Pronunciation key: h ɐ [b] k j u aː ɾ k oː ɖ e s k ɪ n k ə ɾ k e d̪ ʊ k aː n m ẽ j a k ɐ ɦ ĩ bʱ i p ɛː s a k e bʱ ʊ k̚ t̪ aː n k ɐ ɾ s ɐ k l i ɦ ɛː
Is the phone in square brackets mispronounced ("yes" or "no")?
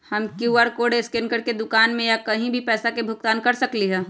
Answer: yes